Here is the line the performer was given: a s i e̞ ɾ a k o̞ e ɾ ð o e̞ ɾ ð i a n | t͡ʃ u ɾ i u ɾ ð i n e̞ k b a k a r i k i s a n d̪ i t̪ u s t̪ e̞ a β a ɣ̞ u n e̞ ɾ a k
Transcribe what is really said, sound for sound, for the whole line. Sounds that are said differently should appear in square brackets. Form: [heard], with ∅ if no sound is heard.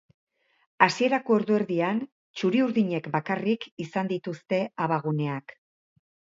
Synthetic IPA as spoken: a s i e̞ ɾ a k o̞ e ɾ ð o e̞ ɾ ð i a n | t͡ʃ u ɾ i u ɾ ð i [ɲ] e̞ k b a k a r i k i s a n d̪ i t̪ u s t̪ e̞ a β a ɣ̞ u n e̞ [∅] a k